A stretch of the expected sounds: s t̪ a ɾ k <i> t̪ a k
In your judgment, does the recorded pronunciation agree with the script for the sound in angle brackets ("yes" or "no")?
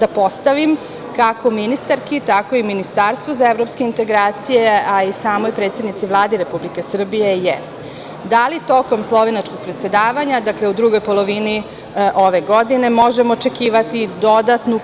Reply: yes